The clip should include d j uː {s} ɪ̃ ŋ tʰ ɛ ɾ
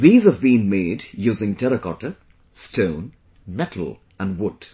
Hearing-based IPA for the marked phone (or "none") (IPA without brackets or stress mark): z